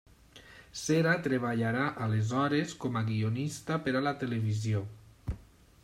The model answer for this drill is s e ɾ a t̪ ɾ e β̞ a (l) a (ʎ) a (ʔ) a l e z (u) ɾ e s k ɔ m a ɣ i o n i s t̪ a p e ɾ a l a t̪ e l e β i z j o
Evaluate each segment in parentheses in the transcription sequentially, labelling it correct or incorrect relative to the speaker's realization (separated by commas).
incorrect, incorrect, correct, incorrect